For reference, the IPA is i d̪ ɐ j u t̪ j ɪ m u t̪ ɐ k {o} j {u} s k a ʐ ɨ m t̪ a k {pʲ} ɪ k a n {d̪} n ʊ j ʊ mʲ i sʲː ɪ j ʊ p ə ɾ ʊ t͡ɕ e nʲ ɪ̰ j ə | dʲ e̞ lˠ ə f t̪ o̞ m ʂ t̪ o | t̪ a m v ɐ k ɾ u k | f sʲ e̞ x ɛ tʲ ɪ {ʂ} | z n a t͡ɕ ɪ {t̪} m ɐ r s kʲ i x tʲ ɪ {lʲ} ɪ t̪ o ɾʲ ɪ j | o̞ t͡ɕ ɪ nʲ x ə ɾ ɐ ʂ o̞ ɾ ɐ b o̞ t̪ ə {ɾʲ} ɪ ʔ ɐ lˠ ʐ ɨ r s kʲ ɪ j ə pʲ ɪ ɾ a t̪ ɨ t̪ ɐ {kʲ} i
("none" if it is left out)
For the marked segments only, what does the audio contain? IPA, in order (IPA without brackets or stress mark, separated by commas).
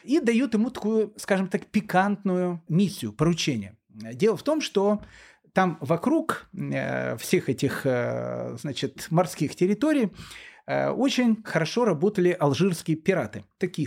u, ʊ, pʲ, t̪, x, t̪, ɾʲ, lʲ, kʲ